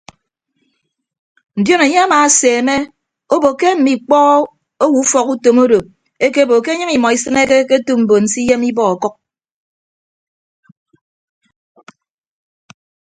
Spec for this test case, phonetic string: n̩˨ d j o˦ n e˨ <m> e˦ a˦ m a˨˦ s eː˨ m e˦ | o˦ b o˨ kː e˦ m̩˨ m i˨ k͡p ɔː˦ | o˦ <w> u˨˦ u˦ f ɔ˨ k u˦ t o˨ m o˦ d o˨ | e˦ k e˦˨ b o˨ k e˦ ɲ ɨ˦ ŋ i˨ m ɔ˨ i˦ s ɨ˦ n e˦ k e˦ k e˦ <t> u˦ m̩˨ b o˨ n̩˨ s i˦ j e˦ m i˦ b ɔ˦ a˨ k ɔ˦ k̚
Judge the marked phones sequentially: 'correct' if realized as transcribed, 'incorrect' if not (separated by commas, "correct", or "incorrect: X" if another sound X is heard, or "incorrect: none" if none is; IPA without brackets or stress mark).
incorrect: ɲ, correct, correct